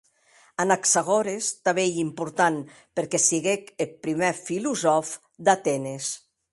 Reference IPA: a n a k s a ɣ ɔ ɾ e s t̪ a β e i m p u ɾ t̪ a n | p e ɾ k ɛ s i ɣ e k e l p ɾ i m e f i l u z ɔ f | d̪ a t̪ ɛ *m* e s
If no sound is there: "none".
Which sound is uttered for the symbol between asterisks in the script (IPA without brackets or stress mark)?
n